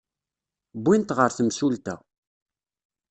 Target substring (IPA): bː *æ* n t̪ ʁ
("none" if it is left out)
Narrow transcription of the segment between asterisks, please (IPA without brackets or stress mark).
i